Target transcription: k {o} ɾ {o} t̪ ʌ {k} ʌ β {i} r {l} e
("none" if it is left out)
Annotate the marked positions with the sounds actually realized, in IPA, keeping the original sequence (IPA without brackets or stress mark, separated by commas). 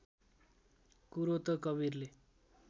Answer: u, o, k, i, l